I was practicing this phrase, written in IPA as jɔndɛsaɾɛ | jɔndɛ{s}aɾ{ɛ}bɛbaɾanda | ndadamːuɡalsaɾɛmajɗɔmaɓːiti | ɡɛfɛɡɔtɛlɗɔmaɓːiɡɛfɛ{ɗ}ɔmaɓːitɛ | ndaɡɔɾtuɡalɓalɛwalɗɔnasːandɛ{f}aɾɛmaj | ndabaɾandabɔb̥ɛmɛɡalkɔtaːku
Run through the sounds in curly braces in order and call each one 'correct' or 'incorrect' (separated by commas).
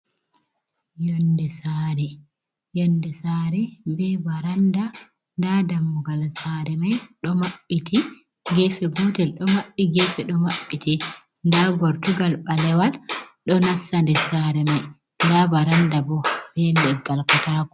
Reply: correct, correct, correct, incorrect